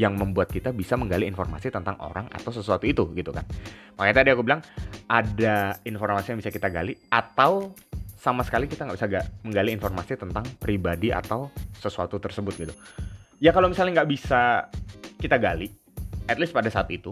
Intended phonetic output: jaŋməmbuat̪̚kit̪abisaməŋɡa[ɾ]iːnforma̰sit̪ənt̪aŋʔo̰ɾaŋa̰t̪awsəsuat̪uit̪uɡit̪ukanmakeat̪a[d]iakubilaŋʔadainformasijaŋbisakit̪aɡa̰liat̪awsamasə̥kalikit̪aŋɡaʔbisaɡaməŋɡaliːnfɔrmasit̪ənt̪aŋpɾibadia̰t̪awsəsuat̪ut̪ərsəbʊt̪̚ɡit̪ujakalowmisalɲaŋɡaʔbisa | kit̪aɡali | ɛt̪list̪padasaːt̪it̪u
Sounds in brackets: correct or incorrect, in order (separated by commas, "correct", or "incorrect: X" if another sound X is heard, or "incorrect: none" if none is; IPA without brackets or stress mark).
incorrect: l, correct